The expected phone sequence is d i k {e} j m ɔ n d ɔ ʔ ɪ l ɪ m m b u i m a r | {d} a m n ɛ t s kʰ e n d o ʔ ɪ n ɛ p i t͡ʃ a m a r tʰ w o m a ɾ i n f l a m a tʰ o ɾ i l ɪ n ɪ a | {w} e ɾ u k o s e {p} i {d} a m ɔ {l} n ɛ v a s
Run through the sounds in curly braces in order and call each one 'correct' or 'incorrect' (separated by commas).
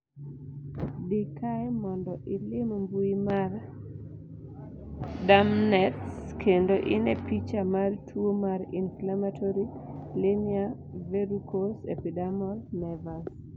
incorrect, correct, incorrect, correct, correct, correct